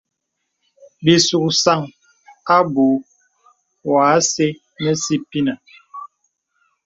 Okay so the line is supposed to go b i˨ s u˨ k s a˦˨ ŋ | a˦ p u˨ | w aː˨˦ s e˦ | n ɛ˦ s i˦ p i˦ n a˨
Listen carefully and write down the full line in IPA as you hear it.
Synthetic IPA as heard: b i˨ s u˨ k s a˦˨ ŋ | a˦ b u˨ | w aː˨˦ s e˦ | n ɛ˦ s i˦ p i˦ n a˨